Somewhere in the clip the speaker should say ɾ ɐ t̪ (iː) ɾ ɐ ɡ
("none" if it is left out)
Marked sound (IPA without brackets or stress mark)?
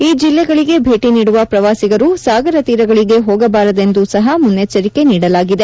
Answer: iː